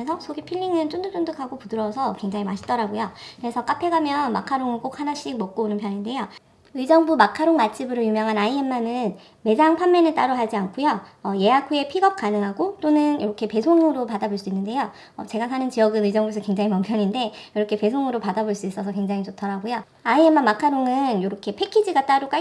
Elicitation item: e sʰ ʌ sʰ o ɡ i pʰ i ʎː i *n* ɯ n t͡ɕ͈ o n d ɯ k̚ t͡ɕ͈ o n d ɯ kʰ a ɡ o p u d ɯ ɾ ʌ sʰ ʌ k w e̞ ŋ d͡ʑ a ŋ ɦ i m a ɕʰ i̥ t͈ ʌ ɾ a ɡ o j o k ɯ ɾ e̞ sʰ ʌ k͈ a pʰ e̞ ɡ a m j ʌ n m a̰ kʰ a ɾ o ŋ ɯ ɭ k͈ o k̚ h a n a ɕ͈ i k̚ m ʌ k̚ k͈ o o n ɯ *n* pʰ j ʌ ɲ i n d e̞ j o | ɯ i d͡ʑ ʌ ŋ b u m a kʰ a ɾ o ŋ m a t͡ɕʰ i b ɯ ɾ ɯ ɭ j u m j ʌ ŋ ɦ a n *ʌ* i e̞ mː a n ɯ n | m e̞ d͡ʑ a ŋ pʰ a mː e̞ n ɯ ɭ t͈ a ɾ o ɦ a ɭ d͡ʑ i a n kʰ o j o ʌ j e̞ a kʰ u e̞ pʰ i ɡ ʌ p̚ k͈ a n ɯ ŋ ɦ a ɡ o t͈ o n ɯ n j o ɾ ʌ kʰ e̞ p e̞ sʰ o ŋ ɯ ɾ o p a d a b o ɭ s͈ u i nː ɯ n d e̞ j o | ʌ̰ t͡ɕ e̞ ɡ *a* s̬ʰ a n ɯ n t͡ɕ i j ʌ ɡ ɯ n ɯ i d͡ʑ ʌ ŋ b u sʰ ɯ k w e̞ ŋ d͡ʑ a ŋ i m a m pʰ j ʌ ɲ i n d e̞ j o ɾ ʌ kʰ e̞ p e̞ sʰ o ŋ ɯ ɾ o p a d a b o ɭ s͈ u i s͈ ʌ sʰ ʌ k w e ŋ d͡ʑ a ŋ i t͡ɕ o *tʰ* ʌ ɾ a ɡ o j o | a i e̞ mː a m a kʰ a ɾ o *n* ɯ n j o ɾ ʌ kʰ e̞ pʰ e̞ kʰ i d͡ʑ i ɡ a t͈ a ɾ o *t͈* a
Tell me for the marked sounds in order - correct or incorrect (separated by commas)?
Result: incorrect, correct, incorrect, correct, correct, incorrect, incorrect